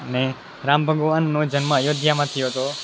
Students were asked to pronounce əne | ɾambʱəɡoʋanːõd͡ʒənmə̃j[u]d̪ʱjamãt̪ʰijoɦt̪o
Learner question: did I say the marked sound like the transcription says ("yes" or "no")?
no